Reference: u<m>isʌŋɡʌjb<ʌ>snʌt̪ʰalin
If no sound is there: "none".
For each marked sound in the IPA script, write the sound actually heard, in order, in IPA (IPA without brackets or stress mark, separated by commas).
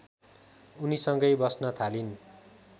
n, ʌ